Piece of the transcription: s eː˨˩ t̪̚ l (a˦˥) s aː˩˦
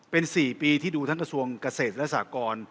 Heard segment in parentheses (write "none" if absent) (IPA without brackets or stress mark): ɛ˦˥